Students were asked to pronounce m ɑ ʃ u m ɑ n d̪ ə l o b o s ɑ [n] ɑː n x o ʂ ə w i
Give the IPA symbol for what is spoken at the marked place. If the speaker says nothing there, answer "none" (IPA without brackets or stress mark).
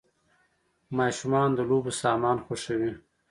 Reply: m